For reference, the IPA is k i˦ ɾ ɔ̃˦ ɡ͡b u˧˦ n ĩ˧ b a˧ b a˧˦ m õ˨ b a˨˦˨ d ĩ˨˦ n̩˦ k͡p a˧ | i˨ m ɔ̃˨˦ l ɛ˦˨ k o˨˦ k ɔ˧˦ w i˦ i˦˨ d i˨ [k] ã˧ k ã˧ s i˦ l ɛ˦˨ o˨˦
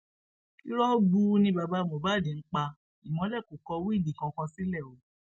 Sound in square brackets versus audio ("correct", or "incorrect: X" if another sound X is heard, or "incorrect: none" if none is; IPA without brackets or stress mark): correct